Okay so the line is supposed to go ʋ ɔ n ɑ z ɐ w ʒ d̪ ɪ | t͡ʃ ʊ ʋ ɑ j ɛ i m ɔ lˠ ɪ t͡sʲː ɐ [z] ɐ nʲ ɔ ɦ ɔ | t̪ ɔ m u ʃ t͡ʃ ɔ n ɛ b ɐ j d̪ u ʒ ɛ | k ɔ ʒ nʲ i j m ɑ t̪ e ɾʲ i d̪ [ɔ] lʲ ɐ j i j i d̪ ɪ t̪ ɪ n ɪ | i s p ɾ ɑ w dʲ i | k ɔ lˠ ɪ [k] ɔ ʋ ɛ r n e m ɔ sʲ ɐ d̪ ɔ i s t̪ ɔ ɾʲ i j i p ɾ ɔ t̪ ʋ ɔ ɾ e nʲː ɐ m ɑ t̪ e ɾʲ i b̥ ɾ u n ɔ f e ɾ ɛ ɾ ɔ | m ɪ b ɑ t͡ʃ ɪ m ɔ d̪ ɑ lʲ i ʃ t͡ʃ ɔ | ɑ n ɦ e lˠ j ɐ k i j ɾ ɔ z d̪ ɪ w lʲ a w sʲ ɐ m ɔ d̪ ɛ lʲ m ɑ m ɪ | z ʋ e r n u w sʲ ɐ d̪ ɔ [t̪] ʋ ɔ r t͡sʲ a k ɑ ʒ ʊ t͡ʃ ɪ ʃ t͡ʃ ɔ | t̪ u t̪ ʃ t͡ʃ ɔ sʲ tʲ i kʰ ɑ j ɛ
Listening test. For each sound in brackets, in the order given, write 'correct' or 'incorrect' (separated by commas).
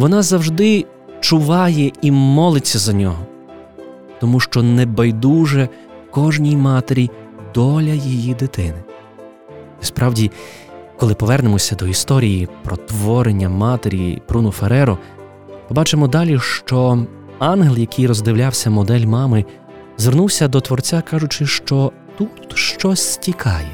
correct, correct, incorrect, correct